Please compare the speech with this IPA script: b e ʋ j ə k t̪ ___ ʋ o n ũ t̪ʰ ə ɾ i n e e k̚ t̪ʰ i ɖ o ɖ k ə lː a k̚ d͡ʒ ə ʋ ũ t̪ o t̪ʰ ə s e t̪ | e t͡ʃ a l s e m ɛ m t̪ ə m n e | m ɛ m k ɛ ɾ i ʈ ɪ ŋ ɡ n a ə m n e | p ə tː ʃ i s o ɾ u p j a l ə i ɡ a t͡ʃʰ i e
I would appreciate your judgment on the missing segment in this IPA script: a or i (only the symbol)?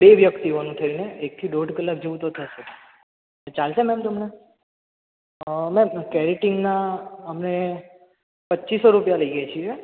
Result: i